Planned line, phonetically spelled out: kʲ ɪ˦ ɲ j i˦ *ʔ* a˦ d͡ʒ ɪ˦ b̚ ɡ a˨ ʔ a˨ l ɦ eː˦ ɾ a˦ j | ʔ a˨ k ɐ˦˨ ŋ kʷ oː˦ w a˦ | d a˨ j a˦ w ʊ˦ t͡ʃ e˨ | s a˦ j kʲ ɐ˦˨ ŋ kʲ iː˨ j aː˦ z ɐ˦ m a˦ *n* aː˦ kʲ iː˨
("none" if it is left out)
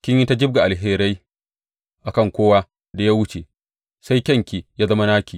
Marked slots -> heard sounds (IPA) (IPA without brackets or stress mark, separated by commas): t, n